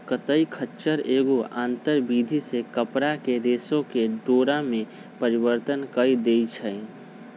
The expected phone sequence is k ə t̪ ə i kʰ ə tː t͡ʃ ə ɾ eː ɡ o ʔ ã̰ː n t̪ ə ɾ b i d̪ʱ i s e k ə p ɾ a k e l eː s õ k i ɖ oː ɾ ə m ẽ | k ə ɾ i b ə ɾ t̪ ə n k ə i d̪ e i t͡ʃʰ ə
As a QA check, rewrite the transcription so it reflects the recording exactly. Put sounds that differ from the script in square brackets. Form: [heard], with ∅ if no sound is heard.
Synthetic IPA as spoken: k ə t̪ ə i kʰ ə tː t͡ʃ ə ɾ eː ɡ o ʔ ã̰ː n t̪ ə ɾ b i d̪ʱ i s e k ə p ɾ a k e [ɾ] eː s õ k [e] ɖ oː ɾ [a] m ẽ | [p] ə ɾ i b ə ɾ t̪ ə n k ə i d̪ e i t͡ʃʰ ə